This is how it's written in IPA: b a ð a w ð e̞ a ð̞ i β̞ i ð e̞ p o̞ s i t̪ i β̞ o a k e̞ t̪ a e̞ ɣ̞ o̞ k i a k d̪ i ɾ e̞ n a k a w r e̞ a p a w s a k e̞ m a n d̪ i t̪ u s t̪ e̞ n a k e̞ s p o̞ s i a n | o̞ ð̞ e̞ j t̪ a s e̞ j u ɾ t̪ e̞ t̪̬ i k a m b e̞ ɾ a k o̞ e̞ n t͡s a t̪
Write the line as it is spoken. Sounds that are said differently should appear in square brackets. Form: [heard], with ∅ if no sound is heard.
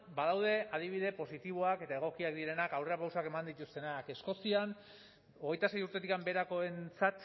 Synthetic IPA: b a ð a w ð e̞ a ð̞ i β̞ i ð e̞ p o̞ s i t̪ i β̞ o a k e̞ t̪ a e̞ ɣ̞ o̞ k i a k d̪ i ɾ e̞ n a k a w r e̞ a p a w s a k e̞ m a n d̪ i t̪ u s t̪ e̞ n a k e̞ s [k] o̞ s i a n | o̞ [ɣ̞] e̞ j t̪ a s e̞ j u ɾ t̪ e̞ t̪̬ i k a m b e̞ ɾ a k o̞ e̞ n t͡s a t̪